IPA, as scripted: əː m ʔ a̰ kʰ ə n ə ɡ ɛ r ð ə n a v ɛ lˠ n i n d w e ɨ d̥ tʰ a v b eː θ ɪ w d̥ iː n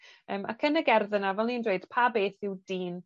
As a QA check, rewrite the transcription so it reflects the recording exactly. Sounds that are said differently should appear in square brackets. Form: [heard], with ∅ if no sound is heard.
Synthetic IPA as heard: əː m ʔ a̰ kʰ ə n ə ɡ ɛ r ð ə n a v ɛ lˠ n i n d w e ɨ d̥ [pʰ] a [∅] b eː θ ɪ w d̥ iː n